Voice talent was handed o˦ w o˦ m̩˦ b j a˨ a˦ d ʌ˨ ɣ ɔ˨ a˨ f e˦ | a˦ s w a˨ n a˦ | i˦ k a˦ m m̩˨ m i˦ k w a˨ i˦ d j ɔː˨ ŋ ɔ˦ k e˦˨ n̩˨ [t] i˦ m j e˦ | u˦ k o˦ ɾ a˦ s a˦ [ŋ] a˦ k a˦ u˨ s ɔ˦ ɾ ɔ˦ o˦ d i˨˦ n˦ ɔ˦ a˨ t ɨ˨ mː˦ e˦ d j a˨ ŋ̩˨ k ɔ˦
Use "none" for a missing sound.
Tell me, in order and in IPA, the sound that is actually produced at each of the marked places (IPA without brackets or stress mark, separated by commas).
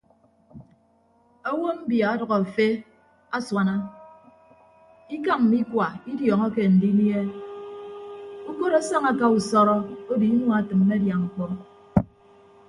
d, ŋ